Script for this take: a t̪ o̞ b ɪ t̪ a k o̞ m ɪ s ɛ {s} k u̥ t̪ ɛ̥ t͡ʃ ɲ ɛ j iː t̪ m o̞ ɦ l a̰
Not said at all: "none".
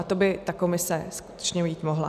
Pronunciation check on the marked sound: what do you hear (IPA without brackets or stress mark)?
s